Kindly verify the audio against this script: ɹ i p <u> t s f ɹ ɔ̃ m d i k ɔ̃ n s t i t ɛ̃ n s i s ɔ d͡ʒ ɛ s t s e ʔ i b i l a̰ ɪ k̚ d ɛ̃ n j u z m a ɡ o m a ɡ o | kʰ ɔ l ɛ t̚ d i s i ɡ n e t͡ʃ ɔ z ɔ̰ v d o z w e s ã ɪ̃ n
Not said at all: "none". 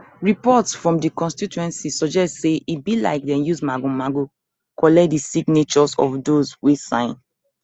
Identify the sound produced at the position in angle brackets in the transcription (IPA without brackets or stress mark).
ɔ